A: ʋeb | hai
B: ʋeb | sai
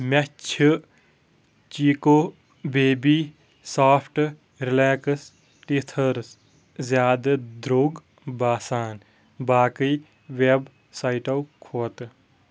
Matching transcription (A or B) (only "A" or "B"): B